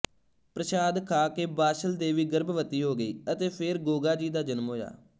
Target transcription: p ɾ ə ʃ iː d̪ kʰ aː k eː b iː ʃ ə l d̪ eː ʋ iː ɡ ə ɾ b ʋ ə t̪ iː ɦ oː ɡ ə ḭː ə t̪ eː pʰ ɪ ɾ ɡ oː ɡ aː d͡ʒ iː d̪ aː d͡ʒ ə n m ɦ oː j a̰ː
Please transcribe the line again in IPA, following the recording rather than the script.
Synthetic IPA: p ɾ ə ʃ aː d̪ kʰ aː k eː b aː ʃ ə l d̪ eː ʋ iː ɡ ə ɾ b ʋ ə t̪ iː ɦ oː ɡ ə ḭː ə t̪ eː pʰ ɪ ɾ ɡ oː ɡ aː d͡ʒ iː d̪ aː d͡ʒ ə n m ɦ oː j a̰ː

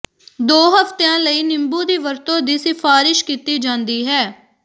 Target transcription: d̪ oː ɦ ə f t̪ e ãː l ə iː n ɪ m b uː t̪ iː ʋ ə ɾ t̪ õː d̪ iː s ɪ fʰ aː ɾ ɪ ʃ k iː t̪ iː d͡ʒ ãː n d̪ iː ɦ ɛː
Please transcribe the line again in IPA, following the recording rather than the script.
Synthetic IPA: d̪ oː ɦ ə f t̪ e ãː l ə iː n ɪ m b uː d̪ iː ʋ ə ɾ t̪ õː d̪ iː s ɪ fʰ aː ɾ ɪ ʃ k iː t̪ iː d͡ʒ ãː n d̪ iː ɦ ɛː

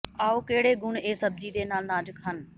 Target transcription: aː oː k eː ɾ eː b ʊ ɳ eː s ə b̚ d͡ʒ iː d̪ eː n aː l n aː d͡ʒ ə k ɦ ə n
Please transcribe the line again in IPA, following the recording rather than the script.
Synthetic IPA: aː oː k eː ɽ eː ɡ ʊ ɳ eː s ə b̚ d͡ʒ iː d̪ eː n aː l n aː d͡ʒ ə k ɦ ə n

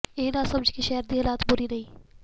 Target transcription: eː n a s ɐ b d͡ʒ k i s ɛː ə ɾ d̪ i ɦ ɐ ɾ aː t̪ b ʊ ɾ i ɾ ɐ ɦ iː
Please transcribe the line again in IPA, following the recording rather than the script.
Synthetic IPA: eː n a s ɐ b d͡ʒ k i ʃ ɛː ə ɾ d̪ i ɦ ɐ l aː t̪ b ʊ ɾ i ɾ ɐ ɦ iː

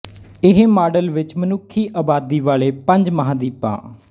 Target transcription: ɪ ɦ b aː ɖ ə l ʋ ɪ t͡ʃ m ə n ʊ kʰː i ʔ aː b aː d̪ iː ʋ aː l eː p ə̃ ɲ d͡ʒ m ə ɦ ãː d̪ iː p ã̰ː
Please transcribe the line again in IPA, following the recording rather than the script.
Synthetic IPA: ɪ ɦ m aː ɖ ə l ʋ ɪ t͡ʃ m ə n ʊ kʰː iː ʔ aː b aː d̪ iː ʋ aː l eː p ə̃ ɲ d͡ʒ m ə ɦ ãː d̪ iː p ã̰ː

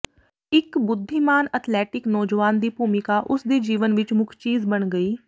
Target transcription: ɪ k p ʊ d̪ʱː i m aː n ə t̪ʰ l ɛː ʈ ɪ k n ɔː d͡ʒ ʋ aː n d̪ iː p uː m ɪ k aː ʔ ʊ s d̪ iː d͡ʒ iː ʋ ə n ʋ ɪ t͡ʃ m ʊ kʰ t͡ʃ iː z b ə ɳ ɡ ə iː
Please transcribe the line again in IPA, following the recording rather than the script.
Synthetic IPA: ɪ k b ʊ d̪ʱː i m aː n ə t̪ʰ l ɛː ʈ ɪ k n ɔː d͡ʒ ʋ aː n d̪ iː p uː m ɪ k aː ʔ ʊ s d̪ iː d͡ʒ iː ʋ ə n ʋ ɪ t͡ʃ m ʊ kʰ t͡ʃ iː z b ə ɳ ɡ ə iː

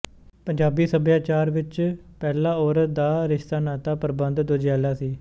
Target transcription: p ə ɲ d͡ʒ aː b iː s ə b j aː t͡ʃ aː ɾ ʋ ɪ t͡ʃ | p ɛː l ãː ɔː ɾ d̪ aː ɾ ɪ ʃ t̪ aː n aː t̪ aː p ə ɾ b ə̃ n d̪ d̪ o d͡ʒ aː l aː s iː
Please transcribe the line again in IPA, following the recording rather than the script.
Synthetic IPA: p ə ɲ d͡ʒ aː b iː s ə b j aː t͡ʃ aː ɾ ʋ ɪ t͡ʃ | p ɛː l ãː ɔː ɾ d̪ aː ɾ ɪ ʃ t̪ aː n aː t̪ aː p ə ɾ b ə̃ n d̪ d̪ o d͡ʒ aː l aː s iː

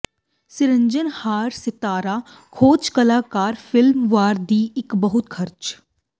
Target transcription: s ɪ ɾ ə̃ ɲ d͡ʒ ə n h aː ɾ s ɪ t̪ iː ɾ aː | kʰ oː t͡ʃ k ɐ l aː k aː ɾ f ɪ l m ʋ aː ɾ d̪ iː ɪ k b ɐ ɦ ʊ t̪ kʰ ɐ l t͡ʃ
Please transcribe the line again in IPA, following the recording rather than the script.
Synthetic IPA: s ɪ ɾ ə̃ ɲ d͡ʒ ə n h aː ɾ s ɪ t̪ aː ɾ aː | kʰ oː t͡ʃ k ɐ l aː k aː ɾ f ɪ l m ʋ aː ɾ d̪ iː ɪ k b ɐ ɦ ʊ t̪ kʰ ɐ ɾ t͡ʃ

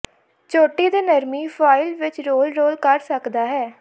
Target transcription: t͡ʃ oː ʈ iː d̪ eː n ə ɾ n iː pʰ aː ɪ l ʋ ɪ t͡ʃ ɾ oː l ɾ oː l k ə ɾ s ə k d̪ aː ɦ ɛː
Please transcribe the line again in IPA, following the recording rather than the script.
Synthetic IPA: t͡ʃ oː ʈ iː d̪ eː n ə ɾ m iː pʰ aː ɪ l ʋ ɪ t͡ʃ ɾ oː l ɾ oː l k ə ɾ s ə k d̪ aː ɦ ɛː

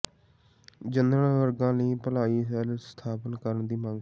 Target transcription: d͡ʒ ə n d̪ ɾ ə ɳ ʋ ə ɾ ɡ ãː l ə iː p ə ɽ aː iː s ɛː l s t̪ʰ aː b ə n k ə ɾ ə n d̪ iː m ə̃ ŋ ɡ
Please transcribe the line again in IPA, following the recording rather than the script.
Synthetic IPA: d͡ʒ ə n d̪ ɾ ə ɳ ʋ ə ɾ ɡ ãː l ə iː p ə l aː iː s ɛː l s t̪ʰ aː p ə n k ə ɾ ə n d̪ iː m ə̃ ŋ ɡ

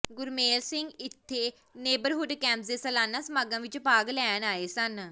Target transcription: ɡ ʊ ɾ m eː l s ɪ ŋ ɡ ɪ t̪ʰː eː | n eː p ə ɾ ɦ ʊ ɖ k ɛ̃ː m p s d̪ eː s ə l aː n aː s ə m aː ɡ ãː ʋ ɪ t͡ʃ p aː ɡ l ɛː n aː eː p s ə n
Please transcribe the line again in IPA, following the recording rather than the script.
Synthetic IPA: ɡ ʊ ɾ m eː l s ɪ ŋ ɡ ɪ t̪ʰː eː | n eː b ə ɾ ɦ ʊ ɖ k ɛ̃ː m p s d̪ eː s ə l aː n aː s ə m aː ɡ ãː ʋ ɪ t͡ʃ p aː ɡ l ɛː n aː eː s ə n

